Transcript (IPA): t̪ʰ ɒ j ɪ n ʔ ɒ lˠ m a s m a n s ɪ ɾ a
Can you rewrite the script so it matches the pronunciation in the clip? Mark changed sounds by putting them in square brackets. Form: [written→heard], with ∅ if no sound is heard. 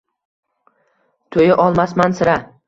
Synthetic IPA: t̪ʰ [ɒ→o] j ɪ [n→∅] ʔ ɒ lˠ m a s m a n s ɪ ɾ a